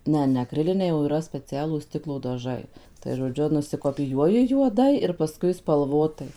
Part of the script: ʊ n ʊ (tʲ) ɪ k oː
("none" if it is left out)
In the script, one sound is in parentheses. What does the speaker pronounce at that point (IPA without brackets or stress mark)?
sʲ